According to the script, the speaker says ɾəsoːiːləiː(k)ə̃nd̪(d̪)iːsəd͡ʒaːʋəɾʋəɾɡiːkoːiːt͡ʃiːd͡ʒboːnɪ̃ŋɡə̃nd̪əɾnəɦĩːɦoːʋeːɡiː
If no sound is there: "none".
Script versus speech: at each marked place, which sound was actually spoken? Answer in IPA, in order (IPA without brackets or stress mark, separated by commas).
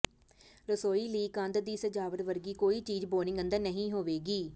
k, d̪